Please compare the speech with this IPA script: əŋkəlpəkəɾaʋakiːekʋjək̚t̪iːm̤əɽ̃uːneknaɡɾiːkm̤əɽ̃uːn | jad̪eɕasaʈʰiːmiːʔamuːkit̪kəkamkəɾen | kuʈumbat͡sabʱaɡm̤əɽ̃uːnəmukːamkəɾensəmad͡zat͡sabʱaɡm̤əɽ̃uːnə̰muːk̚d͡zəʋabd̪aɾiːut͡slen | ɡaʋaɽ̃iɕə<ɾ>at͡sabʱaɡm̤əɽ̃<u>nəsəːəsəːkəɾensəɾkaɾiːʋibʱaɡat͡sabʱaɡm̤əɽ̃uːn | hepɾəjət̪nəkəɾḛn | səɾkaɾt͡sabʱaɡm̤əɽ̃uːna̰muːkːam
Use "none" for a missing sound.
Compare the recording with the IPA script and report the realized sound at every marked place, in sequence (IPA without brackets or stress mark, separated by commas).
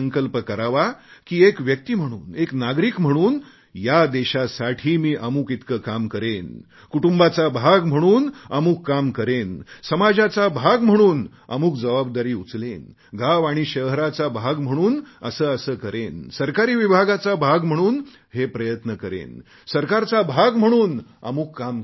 ɾ, uː